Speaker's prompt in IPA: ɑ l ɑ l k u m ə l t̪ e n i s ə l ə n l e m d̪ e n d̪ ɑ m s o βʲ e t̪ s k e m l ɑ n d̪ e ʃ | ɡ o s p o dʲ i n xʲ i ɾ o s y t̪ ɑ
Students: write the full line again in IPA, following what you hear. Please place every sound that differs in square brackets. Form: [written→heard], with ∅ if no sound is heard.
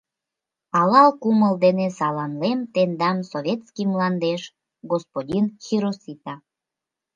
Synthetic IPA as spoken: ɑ l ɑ l k u m ə l [t̪→d̪] e n [i→e] s [ə→ɑ] l [ə→ɑ] n l e m [d̪→t̪] e n d̪ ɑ m s o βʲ e t̪ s k [e→i] m l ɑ n d̪ e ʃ | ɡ o s p o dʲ i n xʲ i ɾ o s [y→i] t̪ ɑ